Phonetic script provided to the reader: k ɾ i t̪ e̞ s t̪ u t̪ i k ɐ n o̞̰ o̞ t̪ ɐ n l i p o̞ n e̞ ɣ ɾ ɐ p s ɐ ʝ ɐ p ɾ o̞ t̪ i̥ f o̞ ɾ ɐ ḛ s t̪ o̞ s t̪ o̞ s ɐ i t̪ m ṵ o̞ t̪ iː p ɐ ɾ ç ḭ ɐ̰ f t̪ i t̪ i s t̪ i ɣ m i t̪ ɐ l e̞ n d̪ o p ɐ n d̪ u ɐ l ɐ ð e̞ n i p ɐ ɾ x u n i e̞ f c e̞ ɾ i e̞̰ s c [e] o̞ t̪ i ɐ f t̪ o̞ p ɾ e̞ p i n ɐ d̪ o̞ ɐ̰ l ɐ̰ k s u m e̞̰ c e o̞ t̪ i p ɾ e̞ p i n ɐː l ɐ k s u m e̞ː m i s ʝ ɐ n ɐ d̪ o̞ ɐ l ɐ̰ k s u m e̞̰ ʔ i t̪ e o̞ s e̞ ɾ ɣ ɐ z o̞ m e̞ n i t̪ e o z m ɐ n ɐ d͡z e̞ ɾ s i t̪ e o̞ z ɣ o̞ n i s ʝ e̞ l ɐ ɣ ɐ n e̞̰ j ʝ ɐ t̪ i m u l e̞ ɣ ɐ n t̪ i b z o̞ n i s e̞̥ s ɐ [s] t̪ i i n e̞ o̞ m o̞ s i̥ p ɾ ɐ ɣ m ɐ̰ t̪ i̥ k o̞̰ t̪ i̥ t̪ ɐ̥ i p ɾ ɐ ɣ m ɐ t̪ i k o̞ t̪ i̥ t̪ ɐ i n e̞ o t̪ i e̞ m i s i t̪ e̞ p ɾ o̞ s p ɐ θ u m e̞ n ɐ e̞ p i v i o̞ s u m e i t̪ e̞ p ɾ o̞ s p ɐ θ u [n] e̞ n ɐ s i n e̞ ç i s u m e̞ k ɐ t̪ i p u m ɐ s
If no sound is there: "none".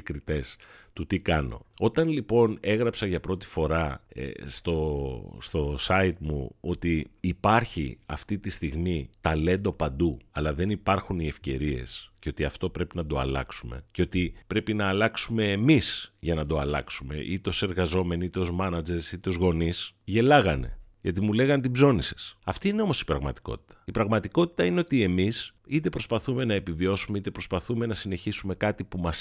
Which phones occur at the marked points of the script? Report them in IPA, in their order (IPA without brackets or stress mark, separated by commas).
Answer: e, f, m